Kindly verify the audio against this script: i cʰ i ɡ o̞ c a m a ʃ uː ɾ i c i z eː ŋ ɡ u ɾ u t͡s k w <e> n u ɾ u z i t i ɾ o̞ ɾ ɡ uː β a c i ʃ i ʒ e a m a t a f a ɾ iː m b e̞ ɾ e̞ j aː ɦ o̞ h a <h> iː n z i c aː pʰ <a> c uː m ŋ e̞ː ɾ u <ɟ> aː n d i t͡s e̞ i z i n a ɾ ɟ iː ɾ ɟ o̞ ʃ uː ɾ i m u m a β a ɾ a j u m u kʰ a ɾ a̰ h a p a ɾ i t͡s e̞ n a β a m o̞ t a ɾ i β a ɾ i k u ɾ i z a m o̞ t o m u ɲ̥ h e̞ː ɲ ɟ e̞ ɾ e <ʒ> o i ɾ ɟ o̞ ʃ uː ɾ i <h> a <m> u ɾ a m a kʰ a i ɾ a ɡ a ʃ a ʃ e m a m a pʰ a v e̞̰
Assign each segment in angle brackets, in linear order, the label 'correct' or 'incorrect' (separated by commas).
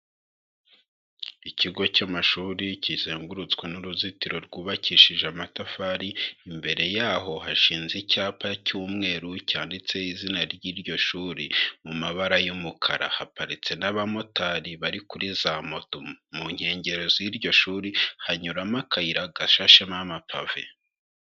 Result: correct, incorrect, correct, incorrect, incorrect, correct, incorrect